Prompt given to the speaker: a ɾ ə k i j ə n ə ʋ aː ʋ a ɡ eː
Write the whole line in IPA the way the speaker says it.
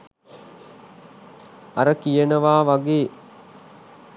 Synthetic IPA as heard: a ɾ ə k i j ə n ə ʋ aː ʋ a ɡ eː